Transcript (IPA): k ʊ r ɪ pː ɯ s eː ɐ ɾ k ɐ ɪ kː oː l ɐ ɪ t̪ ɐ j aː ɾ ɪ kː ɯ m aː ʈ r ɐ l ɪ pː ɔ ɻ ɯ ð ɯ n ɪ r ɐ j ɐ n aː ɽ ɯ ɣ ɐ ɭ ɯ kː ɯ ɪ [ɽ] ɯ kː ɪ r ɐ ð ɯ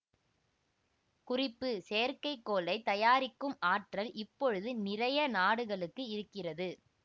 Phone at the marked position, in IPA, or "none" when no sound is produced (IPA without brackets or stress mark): ɾ